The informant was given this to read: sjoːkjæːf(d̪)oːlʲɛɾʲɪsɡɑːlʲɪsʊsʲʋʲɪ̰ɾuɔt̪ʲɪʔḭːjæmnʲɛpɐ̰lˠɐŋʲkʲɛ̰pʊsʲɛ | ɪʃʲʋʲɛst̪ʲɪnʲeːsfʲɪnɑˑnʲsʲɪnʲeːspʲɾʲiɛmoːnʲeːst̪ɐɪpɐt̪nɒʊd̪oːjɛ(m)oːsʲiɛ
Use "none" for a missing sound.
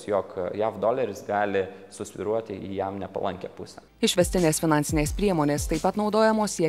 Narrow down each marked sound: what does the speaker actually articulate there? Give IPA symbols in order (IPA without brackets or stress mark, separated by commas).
d̪, m